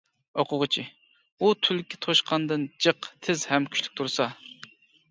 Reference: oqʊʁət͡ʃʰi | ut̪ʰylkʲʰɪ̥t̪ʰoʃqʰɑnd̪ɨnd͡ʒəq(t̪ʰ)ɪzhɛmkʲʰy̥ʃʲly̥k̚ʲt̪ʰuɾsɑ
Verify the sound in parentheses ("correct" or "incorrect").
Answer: correct